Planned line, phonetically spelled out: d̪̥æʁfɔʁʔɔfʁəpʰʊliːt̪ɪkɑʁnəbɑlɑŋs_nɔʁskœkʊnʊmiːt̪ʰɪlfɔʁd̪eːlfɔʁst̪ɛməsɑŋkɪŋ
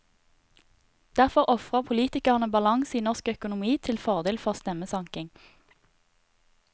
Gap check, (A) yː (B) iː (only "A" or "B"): B